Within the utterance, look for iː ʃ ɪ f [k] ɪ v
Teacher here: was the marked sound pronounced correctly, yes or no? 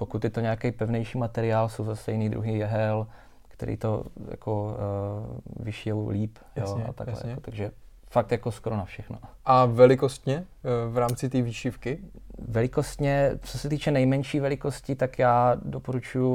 yes